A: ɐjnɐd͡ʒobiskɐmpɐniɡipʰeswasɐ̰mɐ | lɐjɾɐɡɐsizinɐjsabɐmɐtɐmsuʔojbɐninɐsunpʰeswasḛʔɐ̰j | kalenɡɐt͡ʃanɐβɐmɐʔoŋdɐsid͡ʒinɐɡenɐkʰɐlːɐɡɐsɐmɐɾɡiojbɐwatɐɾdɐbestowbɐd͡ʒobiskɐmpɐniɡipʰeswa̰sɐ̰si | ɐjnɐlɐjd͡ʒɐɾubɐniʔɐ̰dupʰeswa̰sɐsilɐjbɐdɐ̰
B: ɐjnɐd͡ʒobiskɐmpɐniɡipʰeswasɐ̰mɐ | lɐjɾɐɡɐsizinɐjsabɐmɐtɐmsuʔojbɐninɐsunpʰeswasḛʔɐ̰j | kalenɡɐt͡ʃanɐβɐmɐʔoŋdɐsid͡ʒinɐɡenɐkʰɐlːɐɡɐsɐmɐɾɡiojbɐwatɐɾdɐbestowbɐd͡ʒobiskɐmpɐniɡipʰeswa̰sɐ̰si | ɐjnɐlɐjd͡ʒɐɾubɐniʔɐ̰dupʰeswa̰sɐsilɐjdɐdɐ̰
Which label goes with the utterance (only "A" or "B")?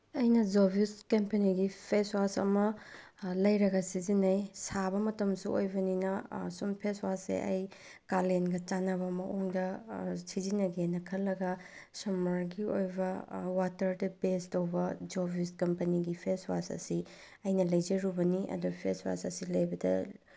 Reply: A